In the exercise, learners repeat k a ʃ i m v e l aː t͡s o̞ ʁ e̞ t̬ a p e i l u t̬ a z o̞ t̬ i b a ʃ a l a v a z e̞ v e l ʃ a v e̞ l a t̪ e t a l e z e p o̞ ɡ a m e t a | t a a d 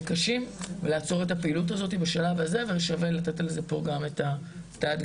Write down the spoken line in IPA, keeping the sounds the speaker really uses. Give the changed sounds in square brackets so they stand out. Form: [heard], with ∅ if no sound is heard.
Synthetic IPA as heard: k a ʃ i m v e l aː t͡s o̞ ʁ e̞ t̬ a p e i l u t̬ a z o̞ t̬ i b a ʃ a l a v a z e̞ v e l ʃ a v e̞ l a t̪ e t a l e z e p o̞ ɡ a m e t a | t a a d